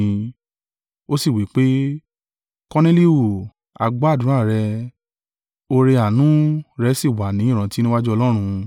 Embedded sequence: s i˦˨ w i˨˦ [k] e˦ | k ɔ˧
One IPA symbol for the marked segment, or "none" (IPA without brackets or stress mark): k͡p